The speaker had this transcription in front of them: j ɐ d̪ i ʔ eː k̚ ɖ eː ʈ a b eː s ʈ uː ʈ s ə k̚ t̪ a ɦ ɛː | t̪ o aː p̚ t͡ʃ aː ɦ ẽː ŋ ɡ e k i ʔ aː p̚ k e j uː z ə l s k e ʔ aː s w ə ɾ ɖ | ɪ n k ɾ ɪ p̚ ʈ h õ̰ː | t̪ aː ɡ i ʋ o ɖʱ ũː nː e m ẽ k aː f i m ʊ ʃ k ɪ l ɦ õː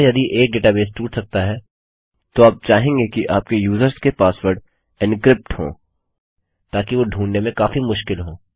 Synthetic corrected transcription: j ɐ d̪ i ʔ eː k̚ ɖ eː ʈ a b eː s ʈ uː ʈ s ɐ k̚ t̪ a ɦ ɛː | t̪ o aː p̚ t͡ʃ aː ɦ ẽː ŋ ɡ e k i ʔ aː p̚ k e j uː z ə ɾ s k e p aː s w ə ɾ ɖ | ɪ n k ɾ ɪ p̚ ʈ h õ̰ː | t̪ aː k i ʋ o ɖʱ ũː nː e m ẽ k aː f i m ʊ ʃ k ɪ l ɦ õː